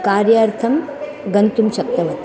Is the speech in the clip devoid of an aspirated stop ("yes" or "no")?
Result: no